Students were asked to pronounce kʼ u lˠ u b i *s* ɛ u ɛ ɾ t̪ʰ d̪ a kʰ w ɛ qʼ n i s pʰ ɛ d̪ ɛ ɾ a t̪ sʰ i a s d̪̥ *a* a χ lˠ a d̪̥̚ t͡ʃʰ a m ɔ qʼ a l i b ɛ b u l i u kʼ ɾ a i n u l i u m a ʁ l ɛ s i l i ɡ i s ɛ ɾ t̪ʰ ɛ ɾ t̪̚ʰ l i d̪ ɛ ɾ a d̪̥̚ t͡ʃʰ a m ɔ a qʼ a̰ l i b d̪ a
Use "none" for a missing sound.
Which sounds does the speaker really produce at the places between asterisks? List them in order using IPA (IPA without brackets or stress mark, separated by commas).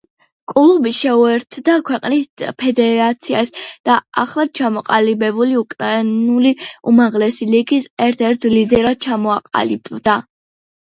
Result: ʃ, a